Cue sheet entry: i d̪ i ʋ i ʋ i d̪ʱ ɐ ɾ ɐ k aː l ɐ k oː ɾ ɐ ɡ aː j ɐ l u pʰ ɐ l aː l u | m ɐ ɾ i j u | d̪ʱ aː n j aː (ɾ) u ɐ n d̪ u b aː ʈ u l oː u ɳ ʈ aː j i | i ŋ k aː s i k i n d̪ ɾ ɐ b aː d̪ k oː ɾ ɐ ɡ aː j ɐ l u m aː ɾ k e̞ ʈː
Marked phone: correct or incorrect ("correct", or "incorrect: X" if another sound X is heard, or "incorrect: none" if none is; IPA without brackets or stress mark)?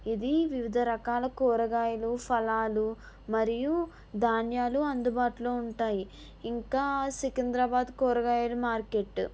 incorrect: l